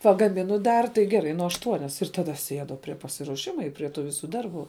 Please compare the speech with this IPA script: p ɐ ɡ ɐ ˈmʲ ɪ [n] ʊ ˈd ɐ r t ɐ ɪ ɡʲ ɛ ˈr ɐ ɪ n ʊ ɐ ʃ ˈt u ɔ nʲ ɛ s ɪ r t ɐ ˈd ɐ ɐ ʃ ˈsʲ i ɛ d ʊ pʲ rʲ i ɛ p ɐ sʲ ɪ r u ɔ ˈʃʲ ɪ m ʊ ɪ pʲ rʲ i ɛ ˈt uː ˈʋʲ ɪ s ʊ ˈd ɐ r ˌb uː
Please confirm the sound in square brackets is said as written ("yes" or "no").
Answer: yes